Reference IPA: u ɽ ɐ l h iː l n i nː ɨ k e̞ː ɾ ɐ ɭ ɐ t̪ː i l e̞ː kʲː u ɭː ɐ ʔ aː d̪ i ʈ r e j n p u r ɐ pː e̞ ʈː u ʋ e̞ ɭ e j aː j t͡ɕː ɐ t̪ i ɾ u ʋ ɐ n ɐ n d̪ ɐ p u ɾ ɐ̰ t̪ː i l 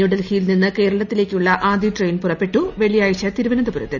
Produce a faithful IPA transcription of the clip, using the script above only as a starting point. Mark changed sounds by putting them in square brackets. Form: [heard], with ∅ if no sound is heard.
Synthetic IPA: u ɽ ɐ l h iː l n i nː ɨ k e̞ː ɾ ɐ ɭ ɐ t̪ː i l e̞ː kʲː u ɭː ɐ ʔ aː d̪ i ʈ r e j n p u r ɐ pː e̞ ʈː u ʋ e̞ ɭ [i] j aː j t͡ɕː ɐ t̪ i ɾ u ʋ ɐ n ɐ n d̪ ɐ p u ɾ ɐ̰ t̪ː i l